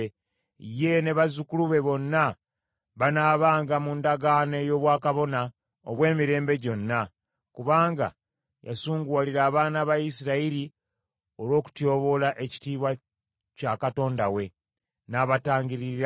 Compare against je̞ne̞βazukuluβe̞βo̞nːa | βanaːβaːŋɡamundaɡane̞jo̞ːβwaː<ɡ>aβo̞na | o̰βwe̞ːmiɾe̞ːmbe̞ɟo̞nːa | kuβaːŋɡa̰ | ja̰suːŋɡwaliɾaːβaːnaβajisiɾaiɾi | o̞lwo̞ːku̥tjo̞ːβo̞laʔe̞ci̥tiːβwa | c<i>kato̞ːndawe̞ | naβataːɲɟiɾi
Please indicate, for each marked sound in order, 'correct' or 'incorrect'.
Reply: incorrect, incorrect

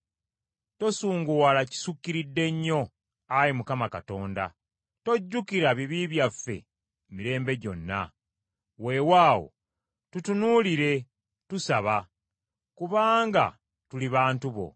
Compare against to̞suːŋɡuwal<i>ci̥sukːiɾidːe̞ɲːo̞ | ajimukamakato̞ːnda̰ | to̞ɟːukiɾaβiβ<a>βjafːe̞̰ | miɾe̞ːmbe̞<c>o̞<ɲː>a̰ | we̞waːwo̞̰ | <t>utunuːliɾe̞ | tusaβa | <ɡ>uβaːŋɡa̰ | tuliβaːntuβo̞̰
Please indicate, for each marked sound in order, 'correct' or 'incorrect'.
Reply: incorrect, incorrect, incorrect, incorrect, correct, incorrect

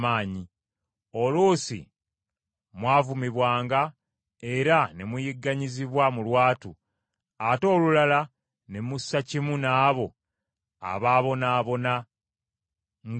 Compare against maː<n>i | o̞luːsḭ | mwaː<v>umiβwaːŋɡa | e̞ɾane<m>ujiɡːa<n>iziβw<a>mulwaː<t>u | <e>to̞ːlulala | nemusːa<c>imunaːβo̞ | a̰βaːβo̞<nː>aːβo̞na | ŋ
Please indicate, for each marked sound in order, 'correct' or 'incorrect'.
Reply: incorrect, correct, correct, incorrect, correct, correct, incorrect, correct, incorrect

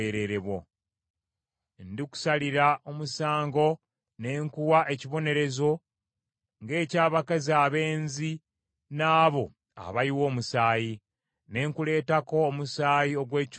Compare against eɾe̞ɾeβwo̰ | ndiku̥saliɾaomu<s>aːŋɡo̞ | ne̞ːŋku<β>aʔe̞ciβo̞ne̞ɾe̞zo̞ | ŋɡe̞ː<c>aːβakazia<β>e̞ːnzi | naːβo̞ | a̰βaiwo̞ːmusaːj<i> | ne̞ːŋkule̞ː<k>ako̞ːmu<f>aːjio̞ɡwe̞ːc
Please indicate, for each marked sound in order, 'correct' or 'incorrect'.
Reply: correct, incorrect, correct, correct, correct, incorrect, incorrect

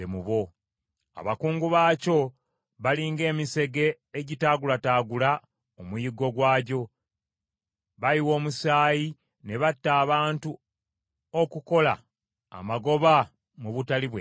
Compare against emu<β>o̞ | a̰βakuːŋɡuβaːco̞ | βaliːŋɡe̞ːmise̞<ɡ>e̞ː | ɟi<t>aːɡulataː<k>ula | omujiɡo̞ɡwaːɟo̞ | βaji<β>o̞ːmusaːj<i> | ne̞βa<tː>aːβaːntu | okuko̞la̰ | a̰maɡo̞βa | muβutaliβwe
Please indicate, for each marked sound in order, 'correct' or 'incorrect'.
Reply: correct, correct, correct, incorrect, incorrect, correct, correct

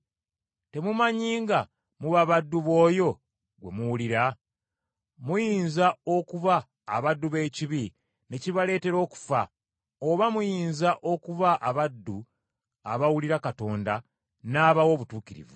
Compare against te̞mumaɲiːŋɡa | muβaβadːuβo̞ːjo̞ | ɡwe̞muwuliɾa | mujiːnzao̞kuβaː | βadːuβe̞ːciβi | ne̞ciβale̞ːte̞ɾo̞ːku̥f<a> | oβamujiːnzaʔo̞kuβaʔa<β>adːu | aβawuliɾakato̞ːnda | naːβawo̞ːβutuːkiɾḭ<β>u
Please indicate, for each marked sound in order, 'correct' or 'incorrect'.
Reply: correct, correct, incorrect

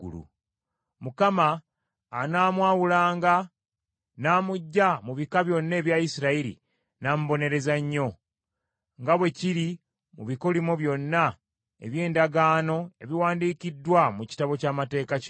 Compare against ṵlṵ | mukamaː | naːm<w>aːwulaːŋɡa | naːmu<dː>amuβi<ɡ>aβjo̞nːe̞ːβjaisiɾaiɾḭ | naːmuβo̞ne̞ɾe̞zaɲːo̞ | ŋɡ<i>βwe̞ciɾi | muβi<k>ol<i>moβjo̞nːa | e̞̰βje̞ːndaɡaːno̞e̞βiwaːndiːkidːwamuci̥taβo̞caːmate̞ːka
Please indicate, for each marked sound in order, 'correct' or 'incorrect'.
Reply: correct, incorrect, incorrect, incorrect, correct, correct

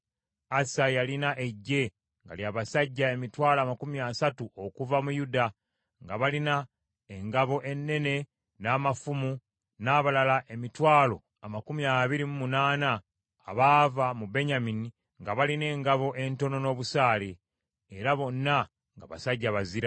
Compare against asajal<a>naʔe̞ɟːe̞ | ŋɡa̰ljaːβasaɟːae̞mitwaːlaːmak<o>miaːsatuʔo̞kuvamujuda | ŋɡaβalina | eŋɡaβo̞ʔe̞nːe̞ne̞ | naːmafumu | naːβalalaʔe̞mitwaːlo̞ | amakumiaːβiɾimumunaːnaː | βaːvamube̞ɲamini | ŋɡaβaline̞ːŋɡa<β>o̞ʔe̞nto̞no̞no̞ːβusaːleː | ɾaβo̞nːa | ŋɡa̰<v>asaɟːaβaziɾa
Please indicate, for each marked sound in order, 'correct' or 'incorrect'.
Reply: incorrect, incorrect, correct, incorrect

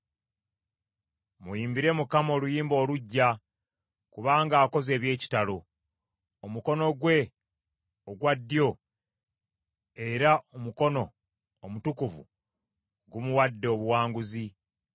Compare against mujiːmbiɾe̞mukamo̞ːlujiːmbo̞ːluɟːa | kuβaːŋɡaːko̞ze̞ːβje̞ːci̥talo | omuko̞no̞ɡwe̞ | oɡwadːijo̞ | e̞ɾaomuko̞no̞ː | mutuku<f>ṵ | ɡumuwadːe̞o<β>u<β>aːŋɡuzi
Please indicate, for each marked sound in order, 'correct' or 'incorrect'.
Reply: incorrect, correct, incorrect

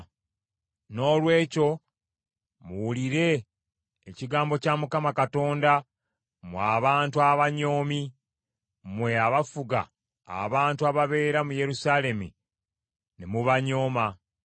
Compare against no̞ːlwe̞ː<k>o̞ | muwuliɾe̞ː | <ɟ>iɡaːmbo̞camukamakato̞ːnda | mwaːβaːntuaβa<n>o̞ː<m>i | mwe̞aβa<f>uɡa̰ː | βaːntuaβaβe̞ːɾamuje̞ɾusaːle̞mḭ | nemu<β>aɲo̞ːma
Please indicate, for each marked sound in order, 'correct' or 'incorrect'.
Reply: incorrect, incorrect, incorrect, correct, correct, correct

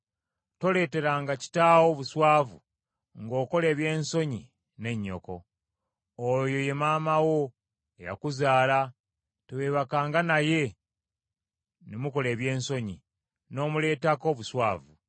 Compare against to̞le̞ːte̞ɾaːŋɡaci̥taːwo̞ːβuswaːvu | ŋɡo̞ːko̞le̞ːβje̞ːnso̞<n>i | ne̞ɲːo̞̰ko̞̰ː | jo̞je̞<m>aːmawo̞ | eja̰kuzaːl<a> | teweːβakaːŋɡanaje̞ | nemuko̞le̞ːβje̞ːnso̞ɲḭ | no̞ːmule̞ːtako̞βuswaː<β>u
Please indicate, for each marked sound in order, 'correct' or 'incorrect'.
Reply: incorrect, correct, correct, incorrect

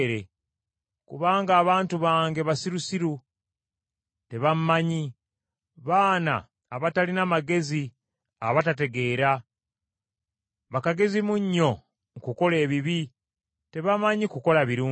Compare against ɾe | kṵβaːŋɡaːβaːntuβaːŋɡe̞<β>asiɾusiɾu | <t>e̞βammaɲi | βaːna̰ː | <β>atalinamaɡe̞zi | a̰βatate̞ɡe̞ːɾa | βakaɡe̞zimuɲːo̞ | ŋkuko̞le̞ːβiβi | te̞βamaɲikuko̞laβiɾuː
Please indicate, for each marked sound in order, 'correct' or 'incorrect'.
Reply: correct, correct, correct

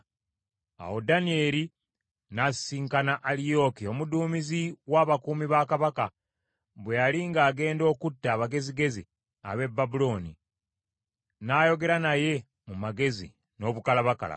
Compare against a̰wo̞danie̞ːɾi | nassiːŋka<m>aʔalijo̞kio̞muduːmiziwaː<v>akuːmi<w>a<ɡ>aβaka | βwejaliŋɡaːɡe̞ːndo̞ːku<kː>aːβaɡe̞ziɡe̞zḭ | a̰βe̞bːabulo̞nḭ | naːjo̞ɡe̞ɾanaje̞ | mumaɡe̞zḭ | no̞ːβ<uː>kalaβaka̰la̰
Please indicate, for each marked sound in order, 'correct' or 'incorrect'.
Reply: incorrect, incorrect, incorrect, incorrect, incorrect, incorrect

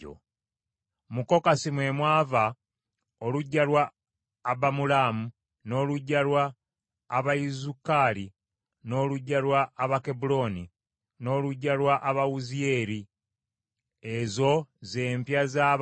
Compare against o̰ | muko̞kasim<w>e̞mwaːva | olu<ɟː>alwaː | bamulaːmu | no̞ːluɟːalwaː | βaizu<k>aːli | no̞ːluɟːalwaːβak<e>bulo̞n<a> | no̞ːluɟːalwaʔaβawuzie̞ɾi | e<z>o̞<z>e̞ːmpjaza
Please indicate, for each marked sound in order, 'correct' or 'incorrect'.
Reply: correct, correct, correct, correct, incorrect, correct, correct

